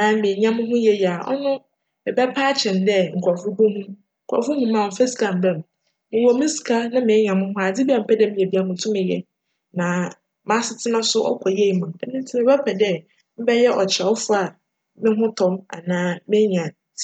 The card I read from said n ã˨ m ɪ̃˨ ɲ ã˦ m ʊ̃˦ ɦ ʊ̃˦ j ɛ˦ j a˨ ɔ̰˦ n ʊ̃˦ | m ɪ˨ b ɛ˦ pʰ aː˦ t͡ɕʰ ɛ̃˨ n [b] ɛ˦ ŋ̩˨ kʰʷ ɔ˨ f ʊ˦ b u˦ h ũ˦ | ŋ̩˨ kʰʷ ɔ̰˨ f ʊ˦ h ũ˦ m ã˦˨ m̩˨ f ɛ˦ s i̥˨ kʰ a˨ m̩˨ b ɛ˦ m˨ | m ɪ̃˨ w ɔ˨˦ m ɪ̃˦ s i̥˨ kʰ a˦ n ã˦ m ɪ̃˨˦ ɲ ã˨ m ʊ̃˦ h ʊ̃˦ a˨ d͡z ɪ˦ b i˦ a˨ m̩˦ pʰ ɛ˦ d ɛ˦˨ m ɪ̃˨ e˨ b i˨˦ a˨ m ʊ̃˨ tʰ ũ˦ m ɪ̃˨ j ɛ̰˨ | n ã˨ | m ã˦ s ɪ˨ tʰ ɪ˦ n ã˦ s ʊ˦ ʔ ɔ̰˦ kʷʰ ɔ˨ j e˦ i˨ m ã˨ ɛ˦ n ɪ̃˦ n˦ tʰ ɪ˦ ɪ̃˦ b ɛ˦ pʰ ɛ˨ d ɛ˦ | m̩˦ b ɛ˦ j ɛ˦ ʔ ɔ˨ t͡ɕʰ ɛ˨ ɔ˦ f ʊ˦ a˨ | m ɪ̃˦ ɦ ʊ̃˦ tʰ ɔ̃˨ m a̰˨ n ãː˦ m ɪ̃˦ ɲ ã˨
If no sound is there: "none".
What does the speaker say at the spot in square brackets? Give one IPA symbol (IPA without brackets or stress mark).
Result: d